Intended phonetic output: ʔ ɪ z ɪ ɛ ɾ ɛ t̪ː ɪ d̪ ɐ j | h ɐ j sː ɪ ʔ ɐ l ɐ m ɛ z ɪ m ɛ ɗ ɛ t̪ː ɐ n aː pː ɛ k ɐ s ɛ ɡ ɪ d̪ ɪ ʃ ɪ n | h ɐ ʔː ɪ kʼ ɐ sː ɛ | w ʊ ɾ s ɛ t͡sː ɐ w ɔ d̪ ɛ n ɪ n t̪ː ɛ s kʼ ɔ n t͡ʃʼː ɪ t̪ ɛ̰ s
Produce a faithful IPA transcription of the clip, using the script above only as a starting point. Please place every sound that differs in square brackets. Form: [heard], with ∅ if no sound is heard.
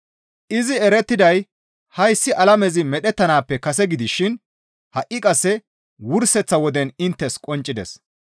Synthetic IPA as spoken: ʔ ɪ z ɪ ɛ ɾ ɛ t̪ː ɪ d̪ ɐ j | h ɐ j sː ɪ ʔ ɐ l ɐ m ɛ z ɪ m ɛ ɗ ɛ t̪ː ɐ n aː pː ɛ k ɐ s ɛ ɡ ɪ d̪ ɪ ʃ ɪ n | h ɐ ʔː ɪ kʼ ɐ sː ɛ | w ʊ ɾ s ɛ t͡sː ɐ w ɔ d̪ ɛ n ɪ n t̪ː ɛ s kʼ ɔ n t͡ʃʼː ɪ [d̪] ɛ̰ s